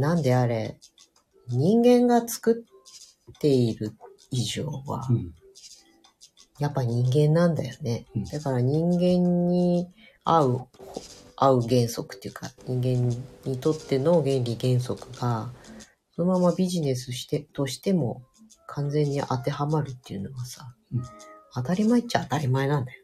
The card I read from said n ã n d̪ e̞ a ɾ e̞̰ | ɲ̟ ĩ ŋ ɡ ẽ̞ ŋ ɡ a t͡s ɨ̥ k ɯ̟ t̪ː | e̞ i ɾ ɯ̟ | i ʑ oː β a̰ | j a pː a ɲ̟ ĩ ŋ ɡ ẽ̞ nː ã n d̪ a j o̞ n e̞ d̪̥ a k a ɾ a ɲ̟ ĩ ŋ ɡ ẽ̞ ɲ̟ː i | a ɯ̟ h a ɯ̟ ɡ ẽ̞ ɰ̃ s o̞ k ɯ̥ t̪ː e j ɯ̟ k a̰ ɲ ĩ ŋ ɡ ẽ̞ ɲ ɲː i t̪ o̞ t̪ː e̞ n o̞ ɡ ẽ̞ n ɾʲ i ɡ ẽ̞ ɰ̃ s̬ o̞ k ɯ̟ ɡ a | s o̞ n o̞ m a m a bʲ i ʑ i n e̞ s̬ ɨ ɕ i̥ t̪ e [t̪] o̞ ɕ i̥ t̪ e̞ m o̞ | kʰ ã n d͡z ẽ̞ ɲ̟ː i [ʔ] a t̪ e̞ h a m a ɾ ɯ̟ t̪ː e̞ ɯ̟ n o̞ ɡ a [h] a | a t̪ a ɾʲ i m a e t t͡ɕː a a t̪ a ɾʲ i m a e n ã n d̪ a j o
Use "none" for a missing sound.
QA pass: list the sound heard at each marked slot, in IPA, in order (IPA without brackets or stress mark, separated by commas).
t̪, ʔ, s